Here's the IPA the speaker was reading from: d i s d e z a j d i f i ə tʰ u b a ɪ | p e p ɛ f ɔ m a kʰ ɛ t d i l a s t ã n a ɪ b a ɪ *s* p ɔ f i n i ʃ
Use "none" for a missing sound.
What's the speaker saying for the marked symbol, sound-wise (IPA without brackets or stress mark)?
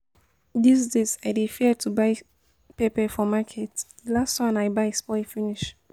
s